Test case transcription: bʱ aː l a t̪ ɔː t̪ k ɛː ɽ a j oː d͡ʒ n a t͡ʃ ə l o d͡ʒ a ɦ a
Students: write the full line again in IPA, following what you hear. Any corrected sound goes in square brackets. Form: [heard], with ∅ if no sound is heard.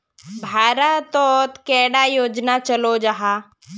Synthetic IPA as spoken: bʱ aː [ɾ] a t̪ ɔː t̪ k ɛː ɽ a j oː d͡ʒ n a t͡ʃ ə l o d͡ʒ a ɦ a